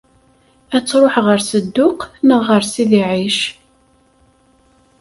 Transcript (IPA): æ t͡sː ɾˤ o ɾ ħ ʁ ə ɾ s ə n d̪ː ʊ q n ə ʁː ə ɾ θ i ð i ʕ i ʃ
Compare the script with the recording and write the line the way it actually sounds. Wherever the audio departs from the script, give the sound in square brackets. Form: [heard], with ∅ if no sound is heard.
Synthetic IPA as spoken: æ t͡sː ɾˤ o [∅] ħ ʁ ə ɾ s ə [∅] d̪ː ʊ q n ə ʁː ə ɾ [s] i ð i ʕ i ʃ